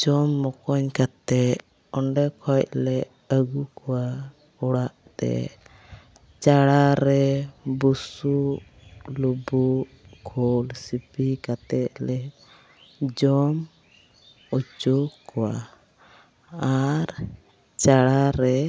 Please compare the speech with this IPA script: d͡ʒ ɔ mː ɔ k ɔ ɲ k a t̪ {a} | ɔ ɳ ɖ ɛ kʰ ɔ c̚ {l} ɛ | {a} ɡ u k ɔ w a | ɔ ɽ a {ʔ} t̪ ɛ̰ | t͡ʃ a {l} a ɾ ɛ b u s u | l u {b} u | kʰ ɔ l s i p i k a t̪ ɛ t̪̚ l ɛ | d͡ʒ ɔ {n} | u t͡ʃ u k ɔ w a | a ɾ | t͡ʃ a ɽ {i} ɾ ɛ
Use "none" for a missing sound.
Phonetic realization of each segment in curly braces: ɛ, l, ə, ʔ, ɽ, b, m, a

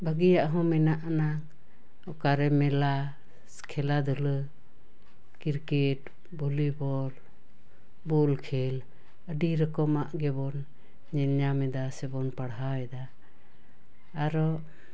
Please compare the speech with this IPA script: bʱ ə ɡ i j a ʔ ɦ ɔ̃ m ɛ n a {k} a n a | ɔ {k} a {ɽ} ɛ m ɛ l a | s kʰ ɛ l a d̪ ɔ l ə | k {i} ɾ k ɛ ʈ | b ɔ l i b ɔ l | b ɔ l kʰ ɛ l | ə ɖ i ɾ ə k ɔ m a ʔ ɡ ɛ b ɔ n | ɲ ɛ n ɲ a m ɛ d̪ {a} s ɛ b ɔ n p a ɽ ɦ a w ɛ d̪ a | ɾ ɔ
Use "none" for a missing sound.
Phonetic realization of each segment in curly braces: ʔ, k, ɾ, i, a

